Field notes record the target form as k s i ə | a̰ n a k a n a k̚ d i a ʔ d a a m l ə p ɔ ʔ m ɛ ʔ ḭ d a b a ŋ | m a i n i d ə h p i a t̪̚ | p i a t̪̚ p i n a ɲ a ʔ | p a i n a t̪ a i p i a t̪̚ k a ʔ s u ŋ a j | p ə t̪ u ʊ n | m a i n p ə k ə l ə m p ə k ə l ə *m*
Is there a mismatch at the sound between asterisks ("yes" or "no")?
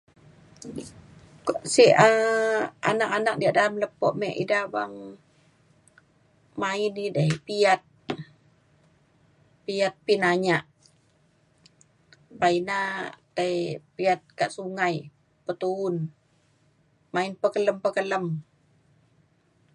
no